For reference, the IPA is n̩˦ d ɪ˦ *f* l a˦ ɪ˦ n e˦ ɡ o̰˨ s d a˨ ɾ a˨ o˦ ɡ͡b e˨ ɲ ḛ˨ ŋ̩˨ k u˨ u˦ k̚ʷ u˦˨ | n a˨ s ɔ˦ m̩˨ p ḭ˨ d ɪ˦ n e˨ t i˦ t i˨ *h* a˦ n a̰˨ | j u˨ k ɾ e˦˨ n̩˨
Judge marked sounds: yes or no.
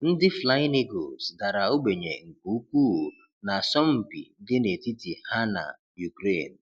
yes, yes

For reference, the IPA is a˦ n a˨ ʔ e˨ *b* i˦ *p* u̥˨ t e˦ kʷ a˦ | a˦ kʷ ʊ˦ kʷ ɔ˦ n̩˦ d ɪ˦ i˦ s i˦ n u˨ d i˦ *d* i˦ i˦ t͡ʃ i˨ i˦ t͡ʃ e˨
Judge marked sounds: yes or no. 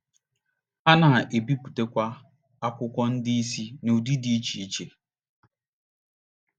yes, yes, yes

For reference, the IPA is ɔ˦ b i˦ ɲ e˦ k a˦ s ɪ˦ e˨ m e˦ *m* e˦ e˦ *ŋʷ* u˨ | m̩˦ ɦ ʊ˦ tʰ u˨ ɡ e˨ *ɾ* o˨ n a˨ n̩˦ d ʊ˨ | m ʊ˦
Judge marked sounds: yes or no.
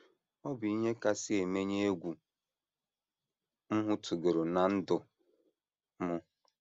no, no, yes

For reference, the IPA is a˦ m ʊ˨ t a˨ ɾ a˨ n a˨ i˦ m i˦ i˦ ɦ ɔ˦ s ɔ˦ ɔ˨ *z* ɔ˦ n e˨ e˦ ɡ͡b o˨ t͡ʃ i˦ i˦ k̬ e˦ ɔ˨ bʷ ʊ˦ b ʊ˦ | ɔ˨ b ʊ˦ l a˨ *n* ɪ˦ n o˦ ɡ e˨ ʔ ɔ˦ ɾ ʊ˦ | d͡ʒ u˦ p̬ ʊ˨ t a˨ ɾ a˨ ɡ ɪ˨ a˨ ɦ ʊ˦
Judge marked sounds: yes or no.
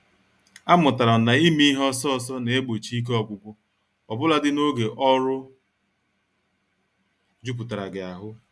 no, no

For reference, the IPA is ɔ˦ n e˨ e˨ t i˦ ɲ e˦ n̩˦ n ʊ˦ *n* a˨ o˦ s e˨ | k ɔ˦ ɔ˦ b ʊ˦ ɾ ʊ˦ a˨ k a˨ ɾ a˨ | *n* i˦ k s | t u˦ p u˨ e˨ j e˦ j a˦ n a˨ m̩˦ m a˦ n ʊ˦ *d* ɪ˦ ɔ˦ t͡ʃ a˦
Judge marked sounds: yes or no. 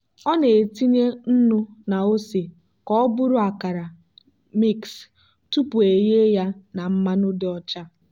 yes, no, yes

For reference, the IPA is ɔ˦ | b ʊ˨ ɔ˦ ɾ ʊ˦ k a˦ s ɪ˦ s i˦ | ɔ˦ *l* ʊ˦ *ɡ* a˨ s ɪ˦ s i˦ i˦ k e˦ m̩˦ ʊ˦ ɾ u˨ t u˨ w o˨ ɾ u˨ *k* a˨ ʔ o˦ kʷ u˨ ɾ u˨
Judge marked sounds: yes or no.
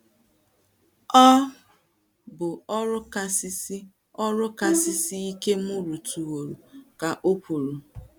no, no, yes

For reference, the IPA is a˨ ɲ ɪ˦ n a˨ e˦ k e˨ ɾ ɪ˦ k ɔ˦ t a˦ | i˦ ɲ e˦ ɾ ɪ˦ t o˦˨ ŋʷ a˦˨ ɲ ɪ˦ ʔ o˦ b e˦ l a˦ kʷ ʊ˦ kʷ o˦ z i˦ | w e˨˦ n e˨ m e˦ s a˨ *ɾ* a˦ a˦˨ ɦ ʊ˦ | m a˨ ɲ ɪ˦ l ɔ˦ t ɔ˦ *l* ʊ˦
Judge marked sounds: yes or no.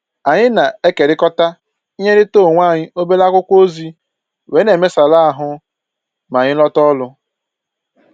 no, yes

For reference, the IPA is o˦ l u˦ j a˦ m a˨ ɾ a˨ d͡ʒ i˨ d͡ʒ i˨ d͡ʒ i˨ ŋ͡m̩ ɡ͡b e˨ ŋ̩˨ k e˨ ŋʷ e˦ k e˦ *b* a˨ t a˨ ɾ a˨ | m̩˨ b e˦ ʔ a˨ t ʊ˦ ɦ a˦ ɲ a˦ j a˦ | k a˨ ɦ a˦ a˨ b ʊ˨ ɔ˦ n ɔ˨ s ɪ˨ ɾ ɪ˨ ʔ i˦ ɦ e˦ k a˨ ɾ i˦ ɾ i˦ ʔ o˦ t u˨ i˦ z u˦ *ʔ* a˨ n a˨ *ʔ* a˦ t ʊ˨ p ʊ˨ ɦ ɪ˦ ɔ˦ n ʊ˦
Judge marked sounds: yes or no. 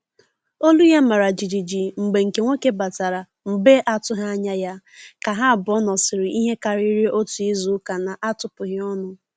yes, no, yes

